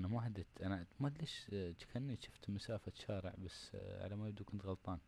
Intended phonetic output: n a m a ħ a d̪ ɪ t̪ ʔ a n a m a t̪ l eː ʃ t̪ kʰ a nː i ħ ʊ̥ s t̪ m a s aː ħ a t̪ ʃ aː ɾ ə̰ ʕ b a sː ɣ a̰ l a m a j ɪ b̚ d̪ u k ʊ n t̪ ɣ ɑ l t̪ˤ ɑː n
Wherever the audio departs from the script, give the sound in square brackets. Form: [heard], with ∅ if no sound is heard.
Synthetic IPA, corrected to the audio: n a m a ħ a d̪ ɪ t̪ ʔ a n a m a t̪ l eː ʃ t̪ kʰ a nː i [ʃ] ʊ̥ [f] t̪ m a s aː [f] a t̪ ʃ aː ɾ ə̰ ʕ b a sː [ʕ] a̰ l a m a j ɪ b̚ d̪ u k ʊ n t̪ ɣ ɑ l t̪ˤ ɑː n